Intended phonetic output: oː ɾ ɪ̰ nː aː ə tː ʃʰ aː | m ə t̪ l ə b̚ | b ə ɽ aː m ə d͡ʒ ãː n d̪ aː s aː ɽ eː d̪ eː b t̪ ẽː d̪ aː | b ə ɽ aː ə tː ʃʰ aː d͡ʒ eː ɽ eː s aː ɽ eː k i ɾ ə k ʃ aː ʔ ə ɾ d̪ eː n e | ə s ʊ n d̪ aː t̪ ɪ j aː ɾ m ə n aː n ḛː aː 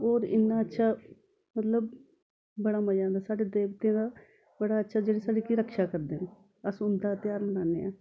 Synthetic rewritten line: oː ɾ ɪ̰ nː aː ə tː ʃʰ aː | m ə t̪ l ə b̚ | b ə ɽ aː m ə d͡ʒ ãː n d̪ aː s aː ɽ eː d̪ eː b t̪ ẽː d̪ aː | b ə ɽ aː ə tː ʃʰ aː d͡ʒ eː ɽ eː s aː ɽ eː k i ɾ ə k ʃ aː k ə ɾ d̪ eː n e | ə s ʊ n d̪ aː t̪ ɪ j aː ɾ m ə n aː n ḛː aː